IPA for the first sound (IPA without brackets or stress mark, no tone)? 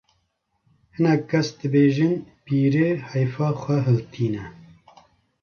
h